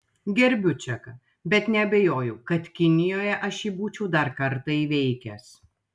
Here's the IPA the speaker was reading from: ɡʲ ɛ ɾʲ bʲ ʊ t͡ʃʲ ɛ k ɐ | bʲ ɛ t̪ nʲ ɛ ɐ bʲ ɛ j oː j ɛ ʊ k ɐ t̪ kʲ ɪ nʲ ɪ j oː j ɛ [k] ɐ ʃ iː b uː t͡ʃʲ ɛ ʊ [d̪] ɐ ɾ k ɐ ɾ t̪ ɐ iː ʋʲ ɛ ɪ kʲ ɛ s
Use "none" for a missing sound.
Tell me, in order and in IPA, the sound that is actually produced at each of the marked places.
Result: ʔ, d̪

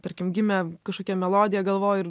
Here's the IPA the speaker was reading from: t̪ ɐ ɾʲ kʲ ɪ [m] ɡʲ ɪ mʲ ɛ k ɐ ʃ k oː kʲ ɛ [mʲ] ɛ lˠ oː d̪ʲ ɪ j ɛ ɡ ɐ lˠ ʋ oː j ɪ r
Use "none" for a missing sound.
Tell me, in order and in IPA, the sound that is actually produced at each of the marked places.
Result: m, mʲ

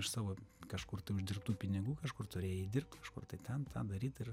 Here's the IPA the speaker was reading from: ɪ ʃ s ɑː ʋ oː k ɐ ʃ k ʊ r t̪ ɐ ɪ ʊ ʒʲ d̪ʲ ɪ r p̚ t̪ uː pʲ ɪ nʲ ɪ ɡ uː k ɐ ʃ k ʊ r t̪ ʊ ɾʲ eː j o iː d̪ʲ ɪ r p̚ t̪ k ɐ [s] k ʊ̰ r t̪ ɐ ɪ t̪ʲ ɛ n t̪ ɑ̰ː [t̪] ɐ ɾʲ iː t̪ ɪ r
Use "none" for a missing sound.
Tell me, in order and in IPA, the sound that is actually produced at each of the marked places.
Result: ʃ, d̪

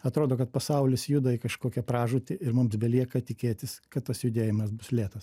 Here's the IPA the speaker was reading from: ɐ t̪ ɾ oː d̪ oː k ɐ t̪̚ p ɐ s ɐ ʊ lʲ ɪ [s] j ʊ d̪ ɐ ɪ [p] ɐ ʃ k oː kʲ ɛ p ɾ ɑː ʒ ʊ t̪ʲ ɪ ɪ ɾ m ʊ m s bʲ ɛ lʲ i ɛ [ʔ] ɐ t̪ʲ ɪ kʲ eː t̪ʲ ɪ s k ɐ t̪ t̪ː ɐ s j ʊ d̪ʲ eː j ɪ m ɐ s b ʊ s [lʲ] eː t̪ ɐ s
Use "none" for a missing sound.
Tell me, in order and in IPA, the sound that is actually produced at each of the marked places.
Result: s, k, k, lʲ

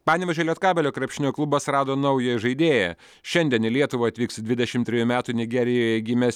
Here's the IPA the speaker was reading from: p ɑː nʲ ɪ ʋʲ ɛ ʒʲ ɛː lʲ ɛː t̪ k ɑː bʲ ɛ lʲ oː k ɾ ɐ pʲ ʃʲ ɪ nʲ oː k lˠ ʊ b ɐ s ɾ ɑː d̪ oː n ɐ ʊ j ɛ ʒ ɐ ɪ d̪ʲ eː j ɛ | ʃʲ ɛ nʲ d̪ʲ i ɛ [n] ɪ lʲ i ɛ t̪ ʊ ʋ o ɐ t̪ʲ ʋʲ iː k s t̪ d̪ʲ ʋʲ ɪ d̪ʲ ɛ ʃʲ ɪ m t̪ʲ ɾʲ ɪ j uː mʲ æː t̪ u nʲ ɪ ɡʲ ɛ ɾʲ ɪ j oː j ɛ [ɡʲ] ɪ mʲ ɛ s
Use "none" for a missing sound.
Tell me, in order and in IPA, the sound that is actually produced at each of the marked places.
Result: n, ɡʲ

